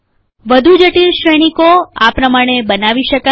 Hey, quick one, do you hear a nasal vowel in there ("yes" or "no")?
no